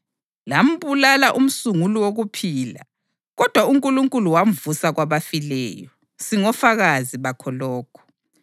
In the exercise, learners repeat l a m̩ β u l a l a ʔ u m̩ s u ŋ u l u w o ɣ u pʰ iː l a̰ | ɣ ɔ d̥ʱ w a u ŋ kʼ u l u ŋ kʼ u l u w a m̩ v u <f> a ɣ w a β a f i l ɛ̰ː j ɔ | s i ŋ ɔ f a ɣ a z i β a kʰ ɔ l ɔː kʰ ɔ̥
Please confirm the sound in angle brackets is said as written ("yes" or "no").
no